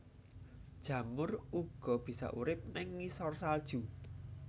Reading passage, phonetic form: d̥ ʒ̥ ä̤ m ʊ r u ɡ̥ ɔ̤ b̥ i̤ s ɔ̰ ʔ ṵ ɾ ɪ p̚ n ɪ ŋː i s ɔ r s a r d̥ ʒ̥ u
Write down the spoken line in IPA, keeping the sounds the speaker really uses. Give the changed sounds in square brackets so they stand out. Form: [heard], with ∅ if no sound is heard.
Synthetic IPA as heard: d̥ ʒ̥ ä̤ m ʊ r u ɡ̥ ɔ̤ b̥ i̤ s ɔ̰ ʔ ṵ ɾ ɪ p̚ n ɪ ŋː i s ɔ r s a [l] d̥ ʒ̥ u